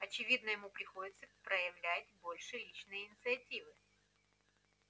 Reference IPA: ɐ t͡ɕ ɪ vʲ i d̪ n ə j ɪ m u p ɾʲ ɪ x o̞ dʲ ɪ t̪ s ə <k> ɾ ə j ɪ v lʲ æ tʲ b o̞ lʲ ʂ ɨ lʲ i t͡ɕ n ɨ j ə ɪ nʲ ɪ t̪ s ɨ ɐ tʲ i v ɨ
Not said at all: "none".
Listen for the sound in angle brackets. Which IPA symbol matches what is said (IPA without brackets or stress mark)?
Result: p